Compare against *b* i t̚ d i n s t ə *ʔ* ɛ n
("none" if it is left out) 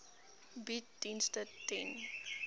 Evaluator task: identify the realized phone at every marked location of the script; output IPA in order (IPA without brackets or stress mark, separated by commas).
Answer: b, t